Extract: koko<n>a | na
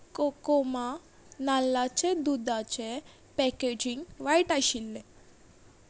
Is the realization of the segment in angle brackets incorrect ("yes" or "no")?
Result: yes